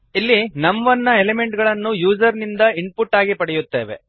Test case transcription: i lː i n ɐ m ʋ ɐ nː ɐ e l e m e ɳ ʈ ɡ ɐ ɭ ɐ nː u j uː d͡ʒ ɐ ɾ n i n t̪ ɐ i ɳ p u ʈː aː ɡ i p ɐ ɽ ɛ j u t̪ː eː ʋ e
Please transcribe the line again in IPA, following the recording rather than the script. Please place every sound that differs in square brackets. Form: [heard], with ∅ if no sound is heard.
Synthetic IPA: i lː i n ɐ m ʋ ɐ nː ɐ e l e m e ɳ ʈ ɡ ɐ ɭ ɐ nː u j uː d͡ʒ ɐ ɾ n i n [d̪] ɐ i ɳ p u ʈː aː ɡ i p ɐ ɽ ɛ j u t̪ː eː ʋ e